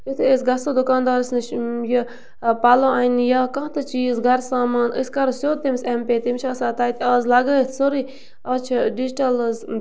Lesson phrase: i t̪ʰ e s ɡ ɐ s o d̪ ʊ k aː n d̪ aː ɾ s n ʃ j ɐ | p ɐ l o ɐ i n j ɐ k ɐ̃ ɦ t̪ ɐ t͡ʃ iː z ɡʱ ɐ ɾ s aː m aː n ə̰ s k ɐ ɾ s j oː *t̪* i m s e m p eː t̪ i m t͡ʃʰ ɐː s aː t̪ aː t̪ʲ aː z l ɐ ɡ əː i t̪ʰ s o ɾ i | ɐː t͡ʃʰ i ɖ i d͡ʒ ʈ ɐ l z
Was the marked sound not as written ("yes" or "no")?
no